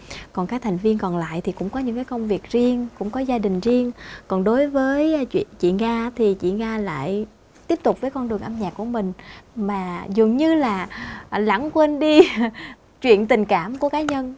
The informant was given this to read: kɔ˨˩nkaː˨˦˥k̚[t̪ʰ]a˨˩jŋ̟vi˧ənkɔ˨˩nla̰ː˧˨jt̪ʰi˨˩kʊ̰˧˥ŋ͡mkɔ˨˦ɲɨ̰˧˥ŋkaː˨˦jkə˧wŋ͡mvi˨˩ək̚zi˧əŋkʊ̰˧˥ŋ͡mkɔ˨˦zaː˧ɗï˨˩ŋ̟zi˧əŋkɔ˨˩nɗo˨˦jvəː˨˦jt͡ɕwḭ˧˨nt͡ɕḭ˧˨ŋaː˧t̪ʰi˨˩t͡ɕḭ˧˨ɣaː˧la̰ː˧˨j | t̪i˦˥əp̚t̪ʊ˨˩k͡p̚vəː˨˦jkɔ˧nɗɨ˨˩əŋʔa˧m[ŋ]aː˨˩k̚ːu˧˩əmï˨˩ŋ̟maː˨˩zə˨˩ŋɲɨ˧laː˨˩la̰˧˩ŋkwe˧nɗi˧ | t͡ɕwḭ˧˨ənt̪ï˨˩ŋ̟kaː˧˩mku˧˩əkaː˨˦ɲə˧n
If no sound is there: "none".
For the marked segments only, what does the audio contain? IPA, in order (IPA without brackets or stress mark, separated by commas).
t̪ʰ, ɲ